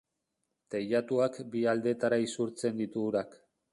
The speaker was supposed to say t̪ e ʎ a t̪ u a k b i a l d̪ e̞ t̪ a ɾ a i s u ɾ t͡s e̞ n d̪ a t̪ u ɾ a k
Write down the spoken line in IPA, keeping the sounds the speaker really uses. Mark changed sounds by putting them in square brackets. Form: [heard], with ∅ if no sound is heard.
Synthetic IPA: t̪ e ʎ a t̪ u a k b i a l d̪ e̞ t̪ a ɾ a i s u ɾ t͡s e̞ n d̪ [i] t̪ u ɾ a k